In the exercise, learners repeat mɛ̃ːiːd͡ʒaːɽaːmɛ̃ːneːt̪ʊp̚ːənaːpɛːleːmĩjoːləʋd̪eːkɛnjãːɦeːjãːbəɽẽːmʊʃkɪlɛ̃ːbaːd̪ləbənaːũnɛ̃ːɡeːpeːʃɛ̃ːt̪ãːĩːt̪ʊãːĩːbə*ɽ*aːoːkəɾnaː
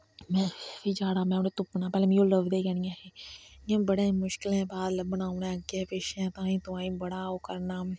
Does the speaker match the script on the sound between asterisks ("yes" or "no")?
yes